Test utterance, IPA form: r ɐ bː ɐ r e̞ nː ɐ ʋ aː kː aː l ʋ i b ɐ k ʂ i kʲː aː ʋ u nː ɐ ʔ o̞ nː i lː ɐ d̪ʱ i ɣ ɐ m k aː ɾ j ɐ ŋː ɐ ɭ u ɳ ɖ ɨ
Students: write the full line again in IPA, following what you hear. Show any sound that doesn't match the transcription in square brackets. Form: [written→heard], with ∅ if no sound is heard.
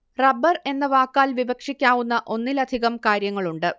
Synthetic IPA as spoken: r ɐ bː ɐ r e̞ nː ɐ ʋ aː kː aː l ʋ i b ɐ k ʂ i kʲː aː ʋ u nː ɐ ʔ o̞ nː i [lː→l] ɐ d̪ʱ i ɣ ɐ m k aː ɾ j ɐ ŋː ɐ ɭ u ɳ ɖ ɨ